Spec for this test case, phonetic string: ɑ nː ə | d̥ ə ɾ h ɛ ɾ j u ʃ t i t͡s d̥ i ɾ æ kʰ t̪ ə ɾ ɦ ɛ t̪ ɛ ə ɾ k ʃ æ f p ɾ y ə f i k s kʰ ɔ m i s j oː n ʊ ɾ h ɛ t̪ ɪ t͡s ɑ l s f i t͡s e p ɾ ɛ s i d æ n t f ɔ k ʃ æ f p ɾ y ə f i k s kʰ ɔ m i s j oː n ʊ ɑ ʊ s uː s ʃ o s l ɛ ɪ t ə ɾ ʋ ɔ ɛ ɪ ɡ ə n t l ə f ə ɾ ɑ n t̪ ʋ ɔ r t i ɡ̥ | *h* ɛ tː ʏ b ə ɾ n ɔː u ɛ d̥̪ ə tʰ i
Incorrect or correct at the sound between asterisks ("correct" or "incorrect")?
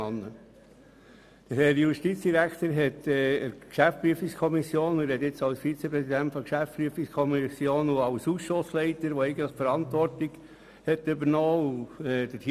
correct